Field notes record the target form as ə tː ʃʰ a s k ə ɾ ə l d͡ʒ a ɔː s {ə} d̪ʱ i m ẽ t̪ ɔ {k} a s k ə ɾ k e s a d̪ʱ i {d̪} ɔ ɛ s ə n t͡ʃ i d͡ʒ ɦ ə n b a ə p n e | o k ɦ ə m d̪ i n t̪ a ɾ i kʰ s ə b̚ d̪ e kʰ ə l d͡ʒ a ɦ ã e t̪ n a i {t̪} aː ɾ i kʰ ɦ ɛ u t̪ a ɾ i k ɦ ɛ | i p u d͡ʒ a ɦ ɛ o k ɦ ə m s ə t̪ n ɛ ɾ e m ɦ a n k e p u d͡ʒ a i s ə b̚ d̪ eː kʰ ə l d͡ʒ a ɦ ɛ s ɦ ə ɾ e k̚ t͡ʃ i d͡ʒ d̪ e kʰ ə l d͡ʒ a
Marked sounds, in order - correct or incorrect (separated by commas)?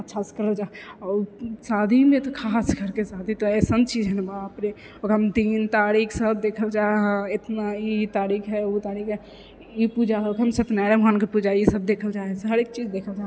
incorrect, incorrect, incorrect, correct